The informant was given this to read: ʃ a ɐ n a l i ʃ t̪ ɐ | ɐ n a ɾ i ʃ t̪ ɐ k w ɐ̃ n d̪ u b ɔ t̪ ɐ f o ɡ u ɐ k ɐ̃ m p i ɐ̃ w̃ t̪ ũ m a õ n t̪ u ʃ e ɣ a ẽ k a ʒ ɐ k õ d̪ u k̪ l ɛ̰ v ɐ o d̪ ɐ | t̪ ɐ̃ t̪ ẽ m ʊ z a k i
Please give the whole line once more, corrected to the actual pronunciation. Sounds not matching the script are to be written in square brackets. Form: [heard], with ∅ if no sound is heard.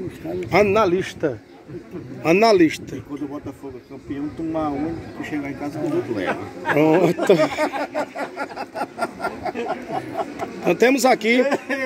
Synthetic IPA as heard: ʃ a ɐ n a l i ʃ t̪ ɐ | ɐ n a [l] i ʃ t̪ ɐ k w ɐ̃ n d̪ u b ɔ t̪ ɐ f o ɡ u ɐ k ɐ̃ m p i ɐ̃ w̃ t̪ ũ m a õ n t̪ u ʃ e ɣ a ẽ k a [z] ɐ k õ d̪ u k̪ l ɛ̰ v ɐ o [t̪] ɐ | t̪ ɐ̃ t̪ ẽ m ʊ z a k i